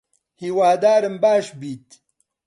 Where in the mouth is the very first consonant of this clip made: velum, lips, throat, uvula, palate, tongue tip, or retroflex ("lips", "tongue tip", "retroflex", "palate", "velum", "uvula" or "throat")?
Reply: throat